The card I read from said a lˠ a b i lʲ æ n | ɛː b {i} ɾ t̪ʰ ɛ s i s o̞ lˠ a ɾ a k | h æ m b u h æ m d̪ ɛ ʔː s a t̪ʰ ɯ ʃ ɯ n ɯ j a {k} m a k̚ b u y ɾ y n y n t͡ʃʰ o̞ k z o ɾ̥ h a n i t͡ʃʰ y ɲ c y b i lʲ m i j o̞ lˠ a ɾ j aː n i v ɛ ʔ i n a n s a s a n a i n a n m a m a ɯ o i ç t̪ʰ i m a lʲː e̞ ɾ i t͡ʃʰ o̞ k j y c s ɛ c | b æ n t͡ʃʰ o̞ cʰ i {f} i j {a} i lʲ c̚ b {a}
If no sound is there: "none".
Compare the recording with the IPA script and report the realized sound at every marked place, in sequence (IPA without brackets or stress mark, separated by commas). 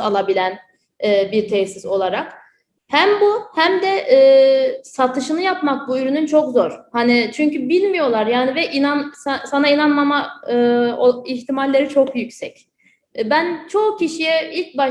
i, p, ʃ, ɛ, a